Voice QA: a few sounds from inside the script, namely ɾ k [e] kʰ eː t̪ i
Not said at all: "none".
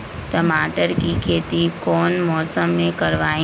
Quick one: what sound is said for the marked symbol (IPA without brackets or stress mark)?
i